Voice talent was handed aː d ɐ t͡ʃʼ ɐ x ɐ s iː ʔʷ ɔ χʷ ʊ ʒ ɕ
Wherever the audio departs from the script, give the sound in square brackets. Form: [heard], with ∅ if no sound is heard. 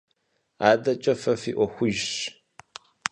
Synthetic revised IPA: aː d ɐ t͡ʃʼ ɐ [f] ɐ [f] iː ʔʷ ɔ [xʷ] ʊ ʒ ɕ